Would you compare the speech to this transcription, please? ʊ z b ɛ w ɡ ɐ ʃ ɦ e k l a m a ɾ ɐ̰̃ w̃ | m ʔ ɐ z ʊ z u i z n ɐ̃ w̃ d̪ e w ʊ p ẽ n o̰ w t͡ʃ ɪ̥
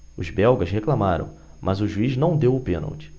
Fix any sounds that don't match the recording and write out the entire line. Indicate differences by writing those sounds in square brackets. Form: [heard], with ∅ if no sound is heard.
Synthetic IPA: ʊ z b ɛ w ɡ ɐ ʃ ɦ e k l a m a ɾ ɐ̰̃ w̃ | m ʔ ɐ z ʊ [ʒ] u i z n ɐ̃ w̃ d̪ e w ʊ p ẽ n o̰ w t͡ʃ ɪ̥

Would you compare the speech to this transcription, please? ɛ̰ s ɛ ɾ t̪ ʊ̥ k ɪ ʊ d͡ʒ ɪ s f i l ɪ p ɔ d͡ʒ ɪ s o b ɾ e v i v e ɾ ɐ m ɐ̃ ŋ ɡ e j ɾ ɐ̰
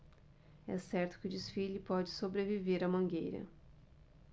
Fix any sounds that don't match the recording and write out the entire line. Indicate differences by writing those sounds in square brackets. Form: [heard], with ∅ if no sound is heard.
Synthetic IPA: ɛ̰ s ɛ ɾ t̪ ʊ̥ k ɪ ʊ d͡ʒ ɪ s f i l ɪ p ɔ d͡ʒ ɪ s o b ɾ e v i v e ɾ ɐ m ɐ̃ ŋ ɡ e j ɾ ɐ̰

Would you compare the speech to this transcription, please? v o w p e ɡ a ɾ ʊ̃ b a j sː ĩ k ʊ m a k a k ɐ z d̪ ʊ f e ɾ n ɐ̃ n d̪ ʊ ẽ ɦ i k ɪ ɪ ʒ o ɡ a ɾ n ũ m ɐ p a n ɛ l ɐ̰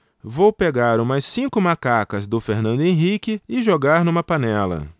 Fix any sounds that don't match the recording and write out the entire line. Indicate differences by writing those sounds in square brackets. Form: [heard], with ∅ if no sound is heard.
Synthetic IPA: v o w p e ɡ a ɾ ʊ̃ [m] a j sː ĩ k ʊ m a k a k ɐ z d̪ ʊ f e ɾ n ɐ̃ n d̪ ʊ ẽ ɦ i k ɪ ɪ ʒ o ɡ a ɾ n ũ m ɐ p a n ɛ l ɐ̰

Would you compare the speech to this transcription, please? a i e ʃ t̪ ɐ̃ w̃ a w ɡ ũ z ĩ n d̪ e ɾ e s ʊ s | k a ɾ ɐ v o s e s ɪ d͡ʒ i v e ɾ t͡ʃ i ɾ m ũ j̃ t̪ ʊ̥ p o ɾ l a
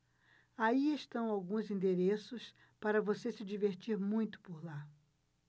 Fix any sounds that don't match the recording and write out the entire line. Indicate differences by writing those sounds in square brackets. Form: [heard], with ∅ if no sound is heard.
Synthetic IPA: a i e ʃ t̪ ɐ̃ w̃ a w ɡ ũ z ĩ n d̪ e ɾ e s ʊ s | [p] a ɾ ɐ v o s e s ɪ d͡ʒ i v e ɾ t͡ʃ i ɾ m ũ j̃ t̪ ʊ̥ p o ɾ l a

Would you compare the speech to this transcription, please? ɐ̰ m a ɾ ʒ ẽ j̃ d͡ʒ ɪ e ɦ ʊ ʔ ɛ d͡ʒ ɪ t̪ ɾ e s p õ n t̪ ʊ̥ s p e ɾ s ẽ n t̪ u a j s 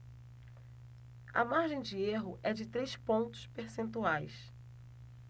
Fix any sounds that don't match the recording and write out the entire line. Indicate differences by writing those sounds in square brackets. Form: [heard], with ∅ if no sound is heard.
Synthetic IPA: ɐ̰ m a ɾ ʒ ẽ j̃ d͡ʒ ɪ e ɦ ʊ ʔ ɛ d͡ʒ ɪ t̪ ɾ e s p õ n t̪ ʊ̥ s p e ɾ s ẽ n t̪ u a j s

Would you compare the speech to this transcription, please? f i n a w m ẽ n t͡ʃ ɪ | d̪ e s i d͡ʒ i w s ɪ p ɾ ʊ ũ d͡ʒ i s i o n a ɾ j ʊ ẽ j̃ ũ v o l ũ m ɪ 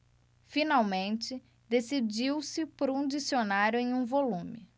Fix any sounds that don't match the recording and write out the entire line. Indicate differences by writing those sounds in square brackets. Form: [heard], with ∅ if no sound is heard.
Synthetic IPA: f i n a w m ẽ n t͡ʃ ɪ | d̪ e s i d͡ʒ i w s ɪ p ɾ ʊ ũ d͡ʒ i s i o n a ɾ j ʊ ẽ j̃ ũ v o l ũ m ɪ

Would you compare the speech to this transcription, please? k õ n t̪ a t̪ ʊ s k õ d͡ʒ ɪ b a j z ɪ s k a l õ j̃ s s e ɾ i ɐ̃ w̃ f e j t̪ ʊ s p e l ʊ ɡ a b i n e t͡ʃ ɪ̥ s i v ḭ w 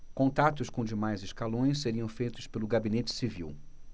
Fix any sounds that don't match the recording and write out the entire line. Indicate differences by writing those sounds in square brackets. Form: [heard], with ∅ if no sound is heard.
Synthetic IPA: k õ n t̪ a t̪ ʊ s k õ d͡ʒ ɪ [m] a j z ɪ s k a l õ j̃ s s e ɾ i ɐ̃ w̃ f e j t̪ ʊ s p e l ʊ ɡ a b i n e t͡ʃ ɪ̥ s i v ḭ w

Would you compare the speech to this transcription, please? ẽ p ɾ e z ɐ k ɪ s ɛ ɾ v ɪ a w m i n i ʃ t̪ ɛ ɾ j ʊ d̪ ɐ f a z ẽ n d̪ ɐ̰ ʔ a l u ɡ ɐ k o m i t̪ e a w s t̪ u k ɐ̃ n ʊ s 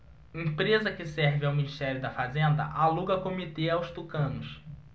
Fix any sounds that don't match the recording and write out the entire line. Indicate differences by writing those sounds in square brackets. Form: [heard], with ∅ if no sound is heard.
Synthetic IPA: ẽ p ɾ e z ɐ k ɪ s ɛ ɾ v ɪ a w m i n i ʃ t̪ ɛ ɾ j ʊ d̪ ɐ f a z ẽ n d̪ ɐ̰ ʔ a l u ɡ ɐ k o m i t̪ e a w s t̪ u k ɐ̃ n ʊ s

